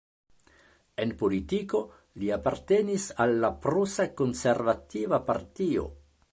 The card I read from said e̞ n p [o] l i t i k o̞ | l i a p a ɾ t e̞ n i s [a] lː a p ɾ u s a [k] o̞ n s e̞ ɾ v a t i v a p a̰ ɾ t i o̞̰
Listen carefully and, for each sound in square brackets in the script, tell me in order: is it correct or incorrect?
correct, correct, correct

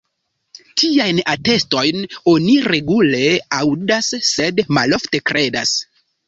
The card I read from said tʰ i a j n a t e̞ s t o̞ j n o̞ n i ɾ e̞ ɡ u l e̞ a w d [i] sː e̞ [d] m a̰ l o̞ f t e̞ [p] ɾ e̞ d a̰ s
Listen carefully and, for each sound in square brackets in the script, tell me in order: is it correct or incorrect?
incorrect: a, correct, incorrect: k

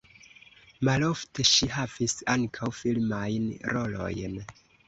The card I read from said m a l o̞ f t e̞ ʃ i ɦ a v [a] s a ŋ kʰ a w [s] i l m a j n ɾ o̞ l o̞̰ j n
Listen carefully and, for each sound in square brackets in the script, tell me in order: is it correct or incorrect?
incorrect: i, incorrect: f

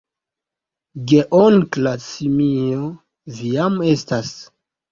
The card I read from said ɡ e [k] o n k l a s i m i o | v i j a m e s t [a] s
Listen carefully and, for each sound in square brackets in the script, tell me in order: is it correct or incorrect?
incorrect: ʔ, correct

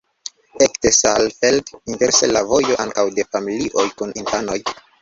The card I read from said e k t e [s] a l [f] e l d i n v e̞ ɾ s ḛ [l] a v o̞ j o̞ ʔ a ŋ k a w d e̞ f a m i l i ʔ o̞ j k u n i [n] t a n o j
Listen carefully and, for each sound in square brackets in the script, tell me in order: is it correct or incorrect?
correct, correct, correct, correct

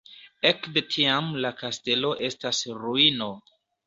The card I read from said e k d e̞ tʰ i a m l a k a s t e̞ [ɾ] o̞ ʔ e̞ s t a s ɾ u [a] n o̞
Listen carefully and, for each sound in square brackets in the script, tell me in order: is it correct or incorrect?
incorrect: l, incorrect: i

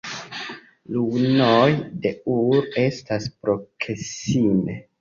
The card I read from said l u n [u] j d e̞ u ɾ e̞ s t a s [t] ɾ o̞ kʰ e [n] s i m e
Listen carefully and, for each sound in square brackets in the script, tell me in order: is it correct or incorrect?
incorrect: o, incorrect: p, incorrect: none

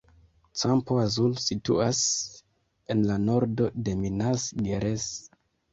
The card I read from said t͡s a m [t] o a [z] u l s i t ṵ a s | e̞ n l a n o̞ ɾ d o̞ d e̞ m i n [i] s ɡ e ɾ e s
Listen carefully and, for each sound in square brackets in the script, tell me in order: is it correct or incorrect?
incorrect: p, correct, incorrect: a

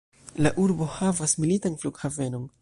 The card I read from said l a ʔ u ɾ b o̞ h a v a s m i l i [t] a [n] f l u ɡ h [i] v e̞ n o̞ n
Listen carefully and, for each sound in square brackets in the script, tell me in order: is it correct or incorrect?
correct, correct, incorrect: a

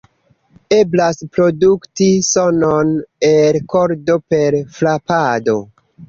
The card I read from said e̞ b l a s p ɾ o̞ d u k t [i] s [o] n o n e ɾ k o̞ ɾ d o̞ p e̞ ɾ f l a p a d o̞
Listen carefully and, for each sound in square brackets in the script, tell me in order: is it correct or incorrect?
correct, correct

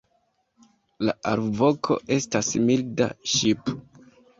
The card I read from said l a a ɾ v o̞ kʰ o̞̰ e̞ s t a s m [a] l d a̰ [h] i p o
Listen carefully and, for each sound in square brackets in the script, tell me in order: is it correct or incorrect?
incorrect: i, incorrect: ʃ

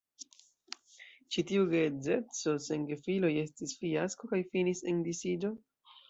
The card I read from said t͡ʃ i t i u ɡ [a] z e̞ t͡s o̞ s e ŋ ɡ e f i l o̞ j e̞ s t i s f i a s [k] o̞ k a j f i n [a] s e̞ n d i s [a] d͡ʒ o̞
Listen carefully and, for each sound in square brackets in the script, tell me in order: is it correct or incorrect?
incorrect: e, correct, incorrect: i, incorrect: i

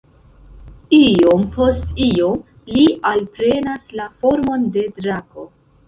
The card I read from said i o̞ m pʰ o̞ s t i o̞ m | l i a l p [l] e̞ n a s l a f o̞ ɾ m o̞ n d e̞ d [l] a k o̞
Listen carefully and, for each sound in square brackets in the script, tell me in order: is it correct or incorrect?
incorrect: ɾ, incorrect: ɾ

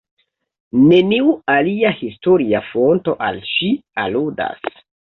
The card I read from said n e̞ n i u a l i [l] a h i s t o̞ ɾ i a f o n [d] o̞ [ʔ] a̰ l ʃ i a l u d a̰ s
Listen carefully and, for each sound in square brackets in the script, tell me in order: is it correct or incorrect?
incorrect: none, incorrect: t, correct

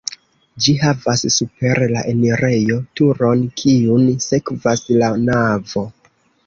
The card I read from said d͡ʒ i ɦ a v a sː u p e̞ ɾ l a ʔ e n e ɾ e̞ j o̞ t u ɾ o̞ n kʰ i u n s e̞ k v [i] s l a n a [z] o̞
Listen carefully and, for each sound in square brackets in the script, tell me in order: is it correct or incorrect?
incorrect: a, incorrect: v

